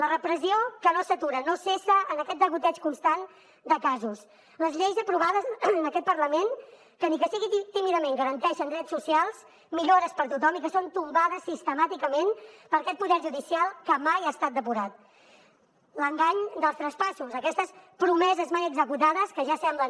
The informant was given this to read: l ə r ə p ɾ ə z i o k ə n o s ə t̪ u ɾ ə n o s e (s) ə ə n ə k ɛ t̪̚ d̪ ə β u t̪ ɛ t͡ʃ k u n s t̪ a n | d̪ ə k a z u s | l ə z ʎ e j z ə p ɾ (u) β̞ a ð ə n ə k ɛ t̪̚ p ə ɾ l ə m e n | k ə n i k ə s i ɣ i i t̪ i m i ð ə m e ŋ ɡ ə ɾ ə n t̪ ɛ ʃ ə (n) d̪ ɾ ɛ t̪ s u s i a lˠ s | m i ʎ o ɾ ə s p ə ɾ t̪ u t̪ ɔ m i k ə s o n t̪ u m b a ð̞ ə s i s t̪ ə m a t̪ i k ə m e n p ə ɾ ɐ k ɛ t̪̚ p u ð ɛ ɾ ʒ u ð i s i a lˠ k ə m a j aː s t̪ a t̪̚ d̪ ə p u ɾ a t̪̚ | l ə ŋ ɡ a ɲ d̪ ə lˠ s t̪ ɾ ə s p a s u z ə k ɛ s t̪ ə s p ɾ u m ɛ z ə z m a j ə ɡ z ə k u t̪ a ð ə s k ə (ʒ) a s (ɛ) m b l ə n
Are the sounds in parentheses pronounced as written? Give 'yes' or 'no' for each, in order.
yes, yes, yes, yes, yes

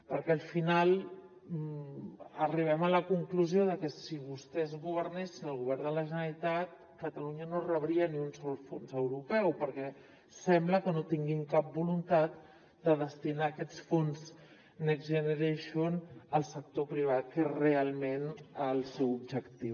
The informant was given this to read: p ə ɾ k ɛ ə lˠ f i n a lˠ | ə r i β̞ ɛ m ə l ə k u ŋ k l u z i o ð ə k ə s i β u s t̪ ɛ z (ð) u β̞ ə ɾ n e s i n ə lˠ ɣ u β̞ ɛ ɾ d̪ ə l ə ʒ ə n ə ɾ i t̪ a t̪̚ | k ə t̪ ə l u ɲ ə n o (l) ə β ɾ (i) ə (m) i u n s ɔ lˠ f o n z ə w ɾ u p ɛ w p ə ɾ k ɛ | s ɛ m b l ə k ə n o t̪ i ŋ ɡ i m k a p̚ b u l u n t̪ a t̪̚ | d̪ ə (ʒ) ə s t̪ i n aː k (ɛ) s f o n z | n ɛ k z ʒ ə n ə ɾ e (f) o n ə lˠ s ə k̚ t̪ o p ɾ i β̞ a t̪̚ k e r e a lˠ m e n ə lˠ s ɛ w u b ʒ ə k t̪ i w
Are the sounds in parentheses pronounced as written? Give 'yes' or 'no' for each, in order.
no, no, yes, no, no, yes, no

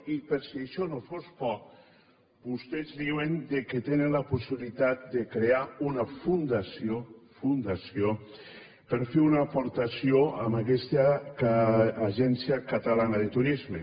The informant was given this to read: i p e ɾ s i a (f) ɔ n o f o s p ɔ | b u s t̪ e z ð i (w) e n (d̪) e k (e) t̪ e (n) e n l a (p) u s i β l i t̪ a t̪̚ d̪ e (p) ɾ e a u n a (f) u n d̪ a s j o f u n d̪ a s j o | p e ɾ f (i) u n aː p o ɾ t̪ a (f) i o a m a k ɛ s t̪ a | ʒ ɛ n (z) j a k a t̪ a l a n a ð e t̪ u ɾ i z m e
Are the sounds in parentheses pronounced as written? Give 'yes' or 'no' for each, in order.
no, yes, yes, yes, yes, yes, no, yes, no, no, no

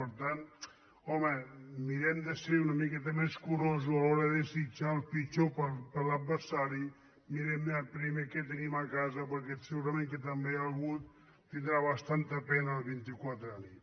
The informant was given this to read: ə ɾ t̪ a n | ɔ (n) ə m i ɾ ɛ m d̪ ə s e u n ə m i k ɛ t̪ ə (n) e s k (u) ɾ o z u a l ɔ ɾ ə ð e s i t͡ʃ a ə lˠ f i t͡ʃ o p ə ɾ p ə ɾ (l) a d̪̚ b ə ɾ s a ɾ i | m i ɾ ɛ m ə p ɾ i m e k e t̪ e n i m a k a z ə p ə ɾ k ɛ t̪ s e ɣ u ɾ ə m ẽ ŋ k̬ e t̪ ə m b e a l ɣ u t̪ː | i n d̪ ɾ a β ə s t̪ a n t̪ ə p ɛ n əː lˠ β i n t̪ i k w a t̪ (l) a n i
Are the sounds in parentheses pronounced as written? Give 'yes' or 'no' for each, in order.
no, no, yes, yes, no

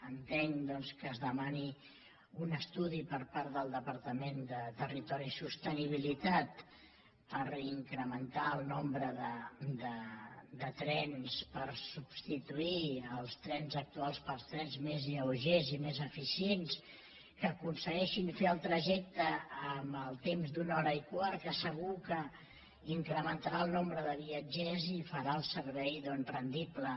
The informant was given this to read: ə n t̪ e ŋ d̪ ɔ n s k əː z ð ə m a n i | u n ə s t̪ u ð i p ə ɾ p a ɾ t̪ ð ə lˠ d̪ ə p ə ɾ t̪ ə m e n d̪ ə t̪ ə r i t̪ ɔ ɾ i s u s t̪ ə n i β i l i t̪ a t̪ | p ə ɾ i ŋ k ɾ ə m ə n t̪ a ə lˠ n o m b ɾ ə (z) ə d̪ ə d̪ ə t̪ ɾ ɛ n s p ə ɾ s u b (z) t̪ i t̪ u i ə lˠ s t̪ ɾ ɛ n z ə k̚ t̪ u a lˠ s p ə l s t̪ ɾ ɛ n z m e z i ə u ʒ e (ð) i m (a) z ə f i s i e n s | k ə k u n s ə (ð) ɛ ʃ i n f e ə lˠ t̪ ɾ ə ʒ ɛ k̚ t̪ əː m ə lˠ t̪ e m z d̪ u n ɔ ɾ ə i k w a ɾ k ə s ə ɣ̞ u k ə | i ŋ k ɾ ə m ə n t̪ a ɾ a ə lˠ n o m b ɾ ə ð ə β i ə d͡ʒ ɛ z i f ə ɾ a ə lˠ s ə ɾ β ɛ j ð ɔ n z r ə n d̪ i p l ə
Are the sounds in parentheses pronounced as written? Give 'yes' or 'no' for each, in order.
no, no, no, no, no

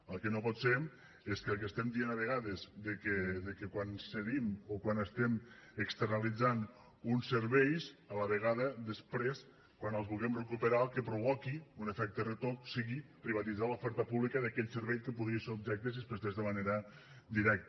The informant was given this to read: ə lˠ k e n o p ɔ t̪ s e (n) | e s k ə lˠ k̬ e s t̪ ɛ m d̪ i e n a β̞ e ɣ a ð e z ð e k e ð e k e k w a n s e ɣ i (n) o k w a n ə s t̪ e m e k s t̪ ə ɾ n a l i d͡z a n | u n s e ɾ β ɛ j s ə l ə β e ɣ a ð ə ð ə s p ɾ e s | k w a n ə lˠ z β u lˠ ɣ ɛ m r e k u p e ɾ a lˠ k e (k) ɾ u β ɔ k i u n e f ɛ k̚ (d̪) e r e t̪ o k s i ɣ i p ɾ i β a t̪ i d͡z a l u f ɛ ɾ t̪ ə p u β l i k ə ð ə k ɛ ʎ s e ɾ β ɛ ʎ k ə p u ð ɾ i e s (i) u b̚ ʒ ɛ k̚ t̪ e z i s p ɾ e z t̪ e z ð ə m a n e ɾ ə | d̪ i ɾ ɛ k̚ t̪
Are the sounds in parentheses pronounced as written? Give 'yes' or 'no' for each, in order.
no, no, no, no, no

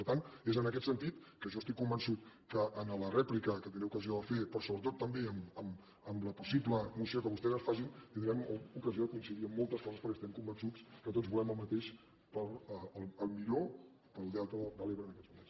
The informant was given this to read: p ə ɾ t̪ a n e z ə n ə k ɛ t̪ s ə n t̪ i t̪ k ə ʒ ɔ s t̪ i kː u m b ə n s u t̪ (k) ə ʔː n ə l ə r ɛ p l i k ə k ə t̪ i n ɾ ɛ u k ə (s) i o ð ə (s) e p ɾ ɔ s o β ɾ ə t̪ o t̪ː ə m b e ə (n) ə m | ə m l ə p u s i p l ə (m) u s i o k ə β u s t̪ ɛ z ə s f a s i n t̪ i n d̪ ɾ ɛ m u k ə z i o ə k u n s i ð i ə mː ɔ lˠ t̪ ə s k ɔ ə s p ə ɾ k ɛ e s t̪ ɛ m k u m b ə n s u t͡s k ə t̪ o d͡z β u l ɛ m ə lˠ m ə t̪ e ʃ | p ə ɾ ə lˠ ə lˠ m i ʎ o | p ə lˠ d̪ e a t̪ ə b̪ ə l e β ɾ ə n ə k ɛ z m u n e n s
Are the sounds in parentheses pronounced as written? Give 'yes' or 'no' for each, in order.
yes, no, no, no, yes

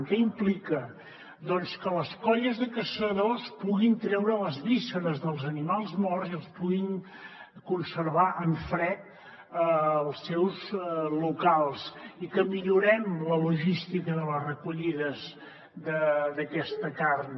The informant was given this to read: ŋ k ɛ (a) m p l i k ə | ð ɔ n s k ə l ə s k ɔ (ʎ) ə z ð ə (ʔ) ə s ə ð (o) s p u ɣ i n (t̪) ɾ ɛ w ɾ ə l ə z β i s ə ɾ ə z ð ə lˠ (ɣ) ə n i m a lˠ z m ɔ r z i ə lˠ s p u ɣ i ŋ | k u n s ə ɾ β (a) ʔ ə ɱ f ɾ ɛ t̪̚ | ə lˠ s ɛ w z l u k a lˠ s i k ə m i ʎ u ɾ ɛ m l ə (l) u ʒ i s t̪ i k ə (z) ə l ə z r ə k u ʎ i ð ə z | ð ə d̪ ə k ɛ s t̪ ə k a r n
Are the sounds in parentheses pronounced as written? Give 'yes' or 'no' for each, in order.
no, yes, no, yes, yes, no, yes, yes, no

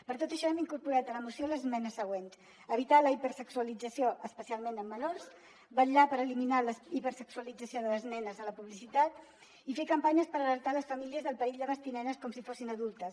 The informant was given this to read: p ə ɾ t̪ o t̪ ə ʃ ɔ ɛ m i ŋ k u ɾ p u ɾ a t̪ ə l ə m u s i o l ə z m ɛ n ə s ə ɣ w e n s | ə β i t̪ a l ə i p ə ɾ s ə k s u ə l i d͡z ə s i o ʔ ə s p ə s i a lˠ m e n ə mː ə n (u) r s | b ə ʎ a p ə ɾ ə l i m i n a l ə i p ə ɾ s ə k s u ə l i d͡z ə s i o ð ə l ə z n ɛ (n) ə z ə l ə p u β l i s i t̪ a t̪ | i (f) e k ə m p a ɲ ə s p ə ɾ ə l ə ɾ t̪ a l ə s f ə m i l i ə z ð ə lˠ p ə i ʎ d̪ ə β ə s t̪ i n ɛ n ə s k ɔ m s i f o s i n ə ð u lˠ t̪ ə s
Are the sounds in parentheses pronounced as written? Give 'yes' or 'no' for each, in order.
no, yes, yes

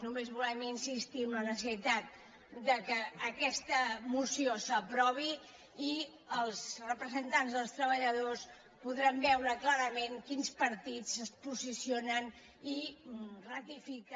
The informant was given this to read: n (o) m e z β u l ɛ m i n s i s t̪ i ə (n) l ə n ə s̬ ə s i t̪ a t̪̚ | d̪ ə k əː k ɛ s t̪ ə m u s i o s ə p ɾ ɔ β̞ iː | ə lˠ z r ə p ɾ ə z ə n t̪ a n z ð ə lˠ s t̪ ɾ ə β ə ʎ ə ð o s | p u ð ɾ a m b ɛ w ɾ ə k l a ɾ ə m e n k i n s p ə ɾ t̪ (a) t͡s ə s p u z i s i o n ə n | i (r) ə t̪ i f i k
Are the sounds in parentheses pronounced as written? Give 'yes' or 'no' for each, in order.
no, no, no, yes

